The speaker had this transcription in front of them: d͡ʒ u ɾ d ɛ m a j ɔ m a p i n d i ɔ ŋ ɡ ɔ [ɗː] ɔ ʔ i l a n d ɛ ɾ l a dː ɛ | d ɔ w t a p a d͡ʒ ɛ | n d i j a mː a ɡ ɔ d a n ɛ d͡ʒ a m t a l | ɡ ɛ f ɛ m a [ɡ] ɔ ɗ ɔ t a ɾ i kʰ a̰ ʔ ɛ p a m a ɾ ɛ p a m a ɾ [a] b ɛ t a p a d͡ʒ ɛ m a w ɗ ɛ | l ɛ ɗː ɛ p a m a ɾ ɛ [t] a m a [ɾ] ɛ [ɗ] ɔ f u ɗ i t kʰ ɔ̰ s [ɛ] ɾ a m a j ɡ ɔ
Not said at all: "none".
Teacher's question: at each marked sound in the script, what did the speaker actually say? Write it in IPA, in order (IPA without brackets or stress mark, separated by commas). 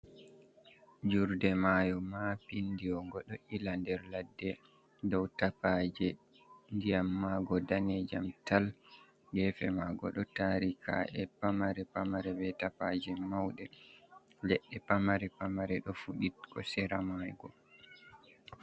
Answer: ɗ, ɡ, ɛ, p, ɾ, ɗ, ɛ